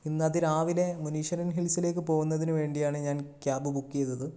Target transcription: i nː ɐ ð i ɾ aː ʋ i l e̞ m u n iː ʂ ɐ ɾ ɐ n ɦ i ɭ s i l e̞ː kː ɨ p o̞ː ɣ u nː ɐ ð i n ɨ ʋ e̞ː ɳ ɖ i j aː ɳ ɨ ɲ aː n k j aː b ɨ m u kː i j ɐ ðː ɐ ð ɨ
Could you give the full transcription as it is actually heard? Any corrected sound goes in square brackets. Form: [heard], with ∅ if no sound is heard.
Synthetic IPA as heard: i nː ɐ ð i ɾ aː ʋ i l e̞ m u n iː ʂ ɐ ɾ ɐ n ɦ i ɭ s i l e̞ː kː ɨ p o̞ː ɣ u nː ɐ ð i n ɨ ʋ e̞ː ɳ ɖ i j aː ɳ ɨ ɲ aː n k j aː b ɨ [b] u kː i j ɐ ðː ɐ ð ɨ